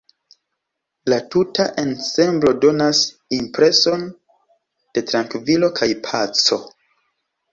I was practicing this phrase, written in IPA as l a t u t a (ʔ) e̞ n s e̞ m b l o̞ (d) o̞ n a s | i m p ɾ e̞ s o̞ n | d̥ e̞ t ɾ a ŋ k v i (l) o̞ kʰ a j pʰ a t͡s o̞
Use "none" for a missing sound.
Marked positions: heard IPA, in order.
ʔ, d, l

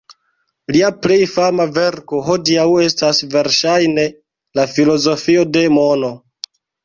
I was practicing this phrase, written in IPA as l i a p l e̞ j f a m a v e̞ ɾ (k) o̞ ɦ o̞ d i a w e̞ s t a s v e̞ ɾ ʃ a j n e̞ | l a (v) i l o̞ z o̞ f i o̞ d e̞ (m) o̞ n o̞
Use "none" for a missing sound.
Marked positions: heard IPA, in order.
k, f, m

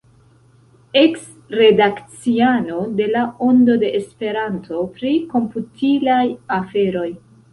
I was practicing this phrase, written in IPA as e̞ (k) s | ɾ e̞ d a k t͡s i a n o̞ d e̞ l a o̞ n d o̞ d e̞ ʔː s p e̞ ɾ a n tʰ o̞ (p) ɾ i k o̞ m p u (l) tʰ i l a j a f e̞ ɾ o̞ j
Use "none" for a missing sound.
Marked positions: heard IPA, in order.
k, p, none

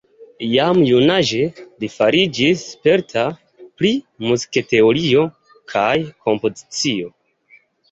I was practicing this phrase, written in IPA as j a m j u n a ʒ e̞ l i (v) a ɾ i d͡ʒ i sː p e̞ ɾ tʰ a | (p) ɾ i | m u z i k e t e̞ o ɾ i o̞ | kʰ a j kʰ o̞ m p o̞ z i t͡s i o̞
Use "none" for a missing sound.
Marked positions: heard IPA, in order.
f, p

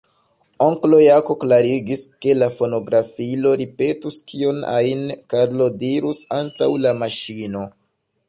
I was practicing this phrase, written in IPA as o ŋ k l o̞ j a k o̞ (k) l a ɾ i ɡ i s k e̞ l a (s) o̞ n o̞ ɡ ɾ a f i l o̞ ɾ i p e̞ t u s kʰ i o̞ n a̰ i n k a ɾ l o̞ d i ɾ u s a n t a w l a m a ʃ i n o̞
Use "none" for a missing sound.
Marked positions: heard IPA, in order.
k, f

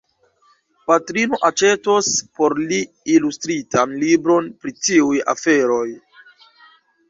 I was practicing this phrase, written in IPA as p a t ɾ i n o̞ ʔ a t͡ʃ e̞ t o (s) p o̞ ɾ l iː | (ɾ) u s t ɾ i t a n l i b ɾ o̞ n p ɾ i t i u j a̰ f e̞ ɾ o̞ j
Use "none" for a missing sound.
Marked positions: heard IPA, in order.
s, l

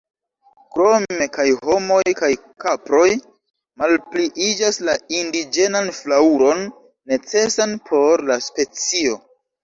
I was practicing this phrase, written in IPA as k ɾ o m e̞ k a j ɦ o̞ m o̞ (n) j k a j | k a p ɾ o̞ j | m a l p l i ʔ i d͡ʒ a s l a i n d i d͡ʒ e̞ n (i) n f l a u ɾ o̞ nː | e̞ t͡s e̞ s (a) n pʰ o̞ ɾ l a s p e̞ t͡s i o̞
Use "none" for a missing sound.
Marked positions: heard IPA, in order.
none, a, a

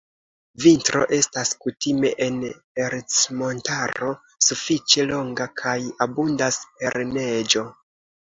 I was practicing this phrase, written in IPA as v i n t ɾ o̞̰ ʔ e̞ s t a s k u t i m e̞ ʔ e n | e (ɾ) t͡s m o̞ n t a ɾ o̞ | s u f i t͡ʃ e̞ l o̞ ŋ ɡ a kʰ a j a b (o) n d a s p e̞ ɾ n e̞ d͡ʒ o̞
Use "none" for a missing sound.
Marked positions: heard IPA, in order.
ɾ, u

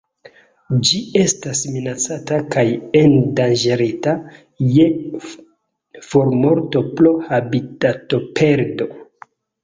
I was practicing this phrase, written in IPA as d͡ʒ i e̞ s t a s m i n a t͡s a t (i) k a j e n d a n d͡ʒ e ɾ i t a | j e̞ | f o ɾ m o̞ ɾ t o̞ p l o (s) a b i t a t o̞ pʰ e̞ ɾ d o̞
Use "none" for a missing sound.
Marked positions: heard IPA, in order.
a, h

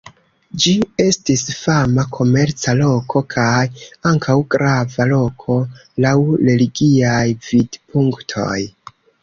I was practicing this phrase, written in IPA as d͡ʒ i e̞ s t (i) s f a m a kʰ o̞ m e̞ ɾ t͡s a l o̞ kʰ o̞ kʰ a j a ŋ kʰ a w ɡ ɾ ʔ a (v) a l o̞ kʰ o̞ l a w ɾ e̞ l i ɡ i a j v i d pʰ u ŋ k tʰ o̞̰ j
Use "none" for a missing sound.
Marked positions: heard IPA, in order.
i, v

